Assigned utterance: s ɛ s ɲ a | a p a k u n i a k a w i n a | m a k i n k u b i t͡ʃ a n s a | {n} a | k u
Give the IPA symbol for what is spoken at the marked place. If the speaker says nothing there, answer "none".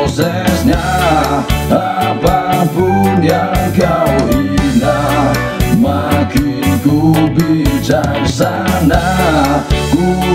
n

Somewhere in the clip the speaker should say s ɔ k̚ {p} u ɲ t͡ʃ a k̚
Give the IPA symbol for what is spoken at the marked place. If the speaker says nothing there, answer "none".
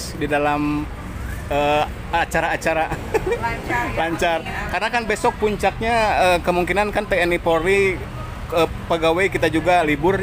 p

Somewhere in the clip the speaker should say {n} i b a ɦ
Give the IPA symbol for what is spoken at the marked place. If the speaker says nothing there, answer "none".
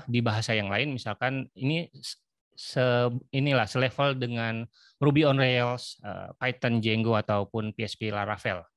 d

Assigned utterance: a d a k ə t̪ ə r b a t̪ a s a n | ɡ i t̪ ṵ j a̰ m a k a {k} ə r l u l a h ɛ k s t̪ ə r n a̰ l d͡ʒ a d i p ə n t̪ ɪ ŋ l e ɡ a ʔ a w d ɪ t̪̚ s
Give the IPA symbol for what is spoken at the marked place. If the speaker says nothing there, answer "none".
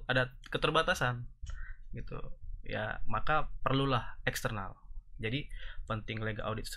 p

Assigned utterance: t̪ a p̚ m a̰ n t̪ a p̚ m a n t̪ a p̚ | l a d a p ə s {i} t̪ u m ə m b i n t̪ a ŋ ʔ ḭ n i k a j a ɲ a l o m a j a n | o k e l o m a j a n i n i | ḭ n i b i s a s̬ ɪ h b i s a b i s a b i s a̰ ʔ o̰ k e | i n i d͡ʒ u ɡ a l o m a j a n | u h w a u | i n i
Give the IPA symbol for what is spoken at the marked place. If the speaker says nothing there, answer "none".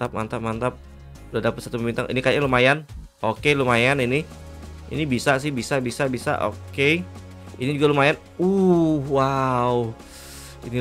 a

